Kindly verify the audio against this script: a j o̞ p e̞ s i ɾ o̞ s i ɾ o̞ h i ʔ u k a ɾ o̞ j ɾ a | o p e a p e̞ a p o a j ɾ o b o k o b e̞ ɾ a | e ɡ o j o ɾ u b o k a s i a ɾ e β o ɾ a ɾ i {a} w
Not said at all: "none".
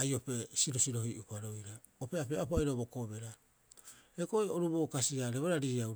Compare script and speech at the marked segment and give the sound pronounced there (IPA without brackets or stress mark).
a